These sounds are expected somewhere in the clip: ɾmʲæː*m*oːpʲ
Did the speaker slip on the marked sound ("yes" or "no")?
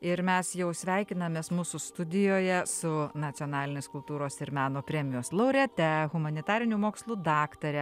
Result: yes